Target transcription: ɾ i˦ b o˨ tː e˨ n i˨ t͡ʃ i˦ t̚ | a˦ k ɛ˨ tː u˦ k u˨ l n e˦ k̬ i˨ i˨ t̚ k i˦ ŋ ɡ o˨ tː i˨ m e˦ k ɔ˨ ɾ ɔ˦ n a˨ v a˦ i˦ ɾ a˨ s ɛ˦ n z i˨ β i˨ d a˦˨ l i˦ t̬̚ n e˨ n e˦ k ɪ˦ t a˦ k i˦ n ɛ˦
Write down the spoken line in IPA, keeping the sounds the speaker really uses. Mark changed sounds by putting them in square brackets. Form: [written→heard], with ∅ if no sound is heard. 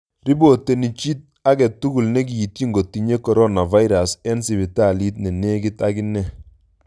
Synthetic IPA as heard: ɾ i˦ b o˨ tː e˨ n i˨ t͡ʃ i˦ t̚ | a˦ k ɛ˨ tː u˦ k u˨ l n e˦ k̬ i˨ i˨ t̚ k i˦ ŋ ɡ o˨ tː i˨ [m→ɲ] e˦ k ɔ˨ ɾ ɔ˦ n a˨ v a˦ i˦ ɾ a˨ s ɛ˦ n [z→s] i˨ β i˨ [d→t] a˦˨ l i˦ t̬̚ n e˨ n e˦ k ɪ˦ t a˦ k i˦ n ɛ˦